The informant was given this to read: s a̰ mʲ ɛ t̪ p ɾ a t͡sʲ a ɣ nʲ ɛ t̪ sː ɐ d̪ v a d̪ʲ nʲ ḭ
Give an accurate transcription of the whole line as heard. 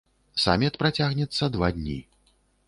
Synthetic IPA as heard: s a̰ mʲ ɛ t̪ p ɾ a t͡sʲ a ɣ nʲ ɛ t̪ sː ɐ d̪ v a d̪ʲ nʲ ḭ

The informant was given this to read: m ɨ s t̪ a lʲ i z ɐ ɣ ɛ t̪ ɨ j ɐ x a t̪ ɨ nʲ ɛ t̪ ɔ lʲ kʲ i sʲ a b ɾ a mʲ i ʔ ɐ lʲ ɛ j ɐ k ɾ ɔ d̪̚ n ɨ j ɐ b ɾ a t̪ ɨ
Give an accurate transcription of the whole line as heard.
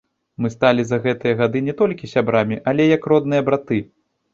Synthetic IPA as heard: m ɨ s t̪ a lʲ i z ɐ ɣ ɛ t̪ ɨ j ɐ ɣ a d̪ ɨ nʲ ɛ t̪ ɔ lʲ kʲ i sʲ a b ɾ a mʲ i ʔ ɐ lʲ ɛ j ɐ k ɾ ɔ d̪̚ n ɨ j ɐ b ɾ a t̪ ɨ

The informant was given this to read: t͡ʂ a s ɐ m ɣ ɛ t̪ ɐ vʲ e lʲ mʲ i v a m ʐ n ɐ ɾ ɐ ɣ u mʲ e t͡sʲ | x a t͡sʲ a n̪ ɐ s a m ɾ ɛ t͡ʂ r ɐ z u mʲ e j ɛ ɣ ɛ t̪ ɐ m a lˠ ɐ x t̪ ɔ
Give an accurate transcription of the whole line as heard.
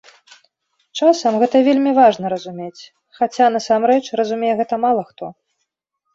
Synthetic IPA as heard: t͡ʂ a s ɐ m ɣ ɛ t̪ ɐ vʲ e lʲ mʲ i v a ʐ n ɐ ɾ ɐ z u mʲ e t͡sʲ | x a t͡sʲ a n̪ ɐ s a m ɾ ɛ t͡ʂ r ɐ z u mʲ e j ɛ ɣ ɛ t̪ ɐ m a lˠ ɐ x t̪ ɔ

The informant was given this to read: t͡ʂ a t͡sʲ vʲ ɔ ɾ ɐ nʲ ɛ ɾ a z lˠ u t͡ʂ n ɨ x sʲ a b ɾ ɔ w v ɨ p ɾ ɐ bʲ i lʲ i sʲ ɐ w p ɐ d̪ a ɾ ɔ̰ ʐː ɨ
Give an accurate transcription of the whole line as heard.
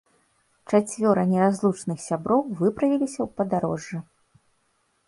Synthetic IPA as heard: t͡ʂ a t͡sʲ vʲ ɔ ɾ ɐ nʲ ɛ ɾ a z lˠ u t͡ʂ n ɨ x sʲ a b ɾ ɔ w v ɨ p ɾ ɐ vʲ i lʲ i sʲ ɐ w p ɐ d̪ a ɾ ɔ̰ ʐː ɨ

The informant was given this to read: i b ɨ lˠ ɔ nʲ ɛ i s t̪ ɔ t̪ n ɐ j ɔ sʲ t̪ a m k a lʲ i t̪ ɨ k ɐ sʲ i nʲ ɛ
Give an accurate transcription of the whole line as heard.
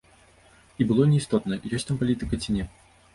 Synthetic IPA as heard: i b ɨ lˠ ɔ nʲ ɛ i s t̪ ɔ t̪ n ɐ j ɔ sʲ t̪ a m p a lʲ i t̪ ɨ k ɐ t͡sʲ i nʲ ɛ

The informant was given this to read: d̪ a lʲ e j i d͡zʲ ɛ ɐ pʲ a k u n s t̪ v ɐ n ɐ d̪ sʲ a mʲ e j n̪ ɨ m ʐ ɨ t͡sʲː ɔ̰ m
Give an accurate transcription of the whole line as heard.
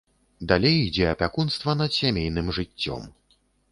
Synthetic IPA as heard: d̪ a lʲ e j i d͡zʲ ɛ ɐ pʲ a k u n s t̪ v ɐ n ɐ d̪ sʲ a mʲ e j n̪ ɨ m ʐ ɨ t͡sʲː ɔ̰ m

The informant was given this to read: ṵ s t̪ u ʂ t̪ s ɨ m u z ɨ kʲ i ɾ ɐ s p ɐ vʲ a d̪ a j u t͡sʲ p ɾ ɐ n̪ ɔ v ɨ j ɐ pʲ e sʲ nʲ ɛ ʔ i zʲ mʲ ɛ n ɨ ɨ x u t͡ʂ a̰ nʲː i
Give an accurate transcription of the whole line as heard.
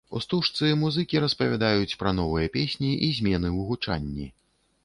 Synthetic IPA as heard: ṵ s t̪ u ʂ t̪ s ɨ m u z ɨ kʲ i ɾ ɐ s p ɐ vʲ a d̪ a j u t͡sʲ p ɾ ɐ n̪ ɔ v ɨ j ɐ pʲ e sʲ nʲ i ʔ i zʲ mʲ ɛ n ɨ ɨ ɣ u t͡ʂ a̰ nʲː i

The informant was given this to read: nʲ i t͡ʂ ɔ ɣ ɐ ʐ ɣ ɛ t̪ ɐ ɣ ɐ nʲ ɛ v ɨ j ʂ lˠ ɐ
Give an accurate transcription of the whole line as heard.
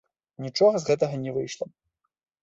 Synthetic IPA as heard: nʲ i t͡ʂ ɔ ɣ ɐ z ɣ ɛ t̪ ɐ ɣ ɐ nʲ ɛ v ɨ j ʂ lˠ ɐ

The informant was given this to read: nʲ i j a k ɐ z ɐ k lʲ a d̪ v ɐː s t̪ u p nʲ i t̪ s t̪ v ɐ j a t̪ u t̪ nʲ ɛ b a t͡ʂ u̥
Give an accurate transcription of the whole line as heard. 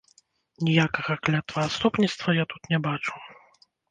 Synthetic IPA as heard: nʲ i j a k ɐ ɣ ɐ k lʲ a t̪ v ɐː s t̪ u p nʲ i t̪ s t̪ v ɐ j a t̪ u t̪ nʲ ɛ b a t͡ʂ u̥

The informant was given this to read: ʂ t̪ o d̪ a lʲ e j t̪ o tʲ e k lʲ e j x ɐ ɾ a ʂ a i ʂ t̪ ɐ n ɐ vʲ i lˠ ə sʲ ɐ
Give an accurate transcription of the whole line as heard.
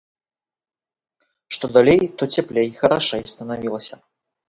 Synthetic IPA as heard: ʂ t̪ o d̪ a lʲ e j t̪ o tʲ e p lʲ e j x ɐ ɾ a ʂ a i s t̪ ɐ n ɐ vʲ i lˠ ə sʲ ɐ

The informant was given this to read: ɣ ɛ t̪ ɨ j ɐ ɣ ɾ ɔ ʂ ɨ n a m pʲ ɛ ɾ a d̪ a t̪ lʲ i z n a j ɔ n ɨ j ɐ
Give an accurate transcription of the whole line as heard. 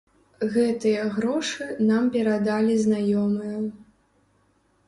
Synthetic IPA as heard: ɣ ɛ t̪ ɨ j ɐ ɣ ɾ ɔ ʂ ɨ n a m pʲ ɛ ɾ a d̪ a lʲ i z n a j ɔ m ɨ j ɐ

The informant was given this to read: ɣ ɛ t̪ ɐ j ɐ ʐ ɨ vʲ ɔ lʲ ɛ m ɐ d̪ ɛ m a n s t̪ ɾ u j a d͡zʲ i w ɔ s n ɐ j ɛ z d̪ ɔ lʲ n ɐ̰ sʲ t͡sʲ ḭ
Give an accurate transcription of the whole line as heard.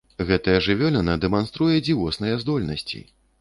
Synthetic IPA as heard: ɣ ɛ t̪ ɐ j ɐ ʐ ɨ vʲ ɔ lʲ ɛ n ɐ d̪ ɛ m a n s t̪ ɾ u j ɛ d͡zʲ i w ɔ s n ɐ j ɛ z d̪ ɔ lʲ n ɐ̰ sʲ t͡sʲ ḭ

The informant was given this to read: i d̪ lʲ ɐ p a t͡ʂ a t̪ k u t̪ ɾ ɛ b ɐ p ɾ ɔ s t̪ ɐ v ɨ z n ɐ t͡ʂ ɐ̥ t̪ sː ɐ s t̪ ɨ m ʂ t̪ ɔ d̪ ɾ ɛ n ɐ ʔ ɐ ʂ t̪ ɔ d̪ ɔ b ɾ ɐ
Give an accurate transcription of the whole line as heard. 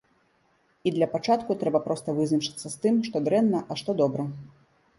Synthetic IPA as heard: i d̪ lʲ ɐ p a t͡ʂ a t̪ k u t̪ ɾ ɛ b ɐ p ɾ ɔ s t̪ ɐ v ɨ z n ɐ t͡ʂ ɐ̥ t̪ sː ɐ s t̪ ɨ m ʂ t̪ ɔ d̪ ɾ ɛ nː ɐ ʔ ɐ ʂ t̪ ɔ d̪ ɔ b ɾ ɐ

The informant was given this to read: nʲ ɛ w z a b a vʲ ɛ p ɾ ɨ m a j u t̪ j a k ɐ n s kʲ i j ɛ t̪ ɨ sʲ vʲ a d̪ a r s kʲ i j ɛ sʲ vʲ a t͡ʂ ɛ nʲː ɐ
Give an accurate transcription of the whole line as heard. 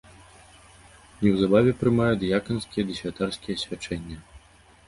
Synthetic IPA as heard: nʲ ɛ w z a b a vʲ ɛ p ɾ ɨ m a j u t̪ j a k ɐ n s kʲ i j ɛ d̪ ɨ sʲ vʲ a t̪ a r s kʲ i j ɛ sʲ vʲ a t͡ʂ ɛ nʲː ɐ

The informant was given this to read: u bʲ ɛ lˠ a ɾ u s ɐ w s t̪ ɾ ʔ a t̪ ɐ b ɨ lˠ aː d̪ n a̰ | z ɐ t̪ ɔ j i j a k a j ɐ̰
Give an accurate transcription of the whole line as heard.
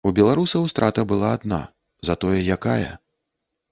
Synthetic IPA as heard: u bʲ ɛ lˠ a ɾ u s ɐ w s t̪ ɾ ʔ a t̪ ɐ b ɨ lˠ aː d̪ n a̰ | z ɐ t̪ ɔ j ɛ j a k a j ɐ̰

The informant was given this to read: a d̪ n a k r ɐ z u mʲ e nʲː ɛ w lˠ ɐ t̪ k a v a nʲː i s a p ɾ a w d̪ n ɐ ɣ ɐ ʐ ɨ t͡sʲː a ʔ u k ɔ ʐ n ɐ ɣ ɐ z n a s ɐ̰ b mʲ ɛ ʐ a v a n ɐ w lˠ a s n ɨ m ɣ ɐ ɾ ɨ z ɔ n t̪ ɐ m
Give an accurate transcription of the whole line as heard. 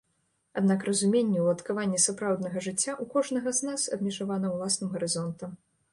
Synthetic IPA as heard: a d̪ n a k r ɐ z u mʲ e nʲː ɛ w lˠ ɐ t̪ k a v a nʲː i s a p ɾ a w d̪ n ɐ ɣ ɐ ʐ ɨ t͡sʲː a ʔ u k ɔ ʐ n ɐ ɣ ɐ z n a s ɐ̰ b mʲ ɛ ʐ a v a n ɐ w lˠ a s n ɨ m ɣ ɐ ɾ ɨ z ɔ n t̪ ɐ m

